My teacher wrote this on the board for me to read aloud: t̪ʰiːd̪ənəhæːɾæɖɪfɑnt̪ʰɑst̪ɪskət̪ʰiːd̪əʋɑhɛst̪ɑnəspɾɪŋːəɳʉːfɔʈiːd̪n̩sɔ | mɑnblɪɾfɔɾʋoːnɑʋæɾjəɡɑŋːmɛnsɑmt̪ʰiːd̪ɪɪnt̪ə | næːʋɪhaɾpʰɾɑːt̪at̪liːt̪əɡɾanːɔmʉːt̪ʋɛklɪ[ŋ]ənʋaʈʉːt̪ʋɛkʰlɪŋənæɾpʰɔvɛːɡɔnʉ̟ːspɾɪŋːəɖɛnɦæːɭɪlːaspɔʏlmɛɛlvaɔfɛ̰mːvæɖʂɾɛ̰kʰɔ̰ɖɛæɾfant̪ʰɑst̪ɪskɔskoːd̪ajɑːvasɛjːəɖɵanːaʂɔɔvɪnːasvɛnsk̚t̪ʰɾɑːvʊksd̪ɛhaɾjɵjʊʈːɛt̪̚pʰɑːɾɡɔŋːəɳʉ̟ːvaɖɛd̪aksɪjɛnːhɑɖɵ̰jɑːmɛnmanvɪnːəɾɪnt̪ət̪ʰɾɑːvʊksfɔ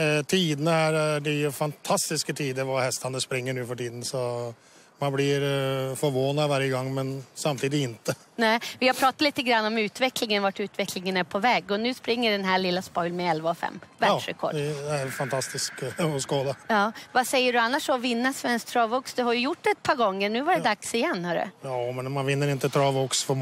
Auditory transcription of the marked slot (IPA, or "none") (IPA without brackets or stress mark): ŋ